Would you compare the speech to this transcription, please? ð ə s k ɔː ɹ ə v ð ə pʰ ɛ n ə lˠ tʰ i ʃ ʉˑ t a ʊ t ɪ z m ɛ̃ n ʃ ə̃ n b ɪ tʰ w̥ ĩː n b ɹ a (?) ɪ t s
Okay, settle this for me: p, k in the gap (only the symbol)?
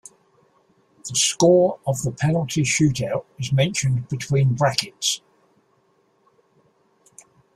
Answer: k